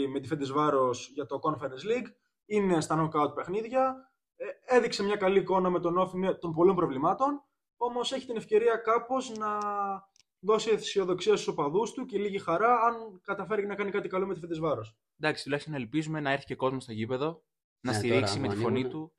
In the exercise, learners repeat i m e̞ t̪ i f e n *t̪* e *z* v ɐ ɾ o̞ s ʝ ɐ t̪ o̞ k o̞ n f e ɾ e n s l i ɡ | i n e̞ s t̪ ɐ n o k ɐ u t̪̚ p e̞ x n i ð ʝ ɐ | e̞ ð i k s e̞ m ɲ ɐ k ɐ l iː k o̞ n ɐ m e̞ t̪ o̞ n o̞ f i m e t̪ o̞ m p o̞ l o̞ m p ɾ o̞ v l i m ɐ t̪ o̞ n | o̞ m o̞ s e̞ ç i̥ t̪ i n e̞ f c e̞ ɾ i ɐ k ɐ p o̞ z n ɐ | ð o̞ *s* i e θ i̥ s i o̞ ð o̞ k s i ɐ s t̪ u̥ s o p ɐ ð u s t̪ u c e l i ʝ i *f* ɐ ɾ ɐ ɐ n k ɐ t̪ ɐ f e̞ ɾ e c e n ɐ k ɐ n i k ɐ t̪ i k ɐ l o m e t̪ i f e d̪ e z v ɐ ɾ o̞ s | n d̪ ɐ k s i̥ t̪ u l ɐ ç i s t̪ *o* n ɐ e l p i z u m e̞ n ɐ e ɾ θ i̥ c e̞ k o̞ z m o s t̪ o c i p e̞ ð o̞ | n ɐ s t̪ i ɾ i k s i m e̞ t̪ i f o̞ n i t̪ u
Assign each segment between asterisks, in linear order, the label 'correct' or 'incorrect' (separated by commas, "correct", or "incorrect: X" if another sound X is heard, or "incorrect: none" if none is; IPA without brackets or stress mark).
incorrect: d̪, correct, correct, incorrect: x, correct